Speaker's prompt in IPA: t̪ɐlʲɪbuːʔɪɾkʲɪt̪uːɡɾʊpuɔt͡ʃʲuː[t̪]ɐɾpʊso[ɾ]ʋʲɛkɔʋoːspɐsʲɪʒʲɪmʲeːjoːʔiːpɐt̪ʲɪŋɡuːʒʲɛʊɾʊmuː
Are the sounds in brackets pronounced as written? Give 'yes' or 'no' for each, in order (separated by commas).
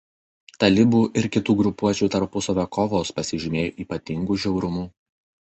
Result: yes, no